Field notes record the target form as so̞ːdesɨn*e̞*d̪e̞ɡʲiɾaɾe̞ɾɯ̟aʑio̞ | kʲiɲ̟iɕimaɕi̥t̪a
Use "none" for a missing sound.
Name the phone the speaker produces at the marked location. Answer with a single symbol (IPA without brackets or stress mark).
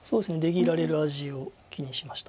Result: e̞